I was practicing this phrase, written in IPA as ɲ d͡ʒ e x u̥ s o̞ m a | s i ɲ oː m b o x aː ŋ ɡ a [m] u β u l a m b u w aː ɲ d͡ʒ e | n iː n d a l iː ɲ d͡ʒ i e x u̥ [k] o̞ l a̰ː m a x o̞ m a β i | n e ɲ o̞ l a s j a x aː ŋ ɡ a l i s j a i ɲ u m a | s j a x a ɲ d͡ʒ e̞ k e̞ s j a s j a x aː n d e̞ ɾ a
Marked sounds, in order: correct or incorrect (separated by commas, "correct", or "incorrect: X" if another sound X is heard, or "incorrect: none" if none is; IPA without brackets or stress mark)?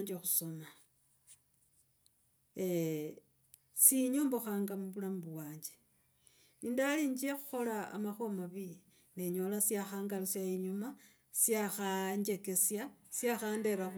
correct, incorrect: x